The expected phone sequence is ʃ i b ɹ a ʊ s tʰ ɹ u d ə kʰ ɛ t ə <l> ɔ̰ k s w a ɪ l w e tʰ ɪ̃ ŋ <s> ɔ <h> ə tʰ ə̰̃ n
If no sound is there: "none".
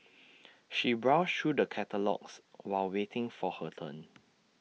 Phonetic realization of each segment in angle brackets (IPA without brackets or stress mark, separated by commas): l, f, h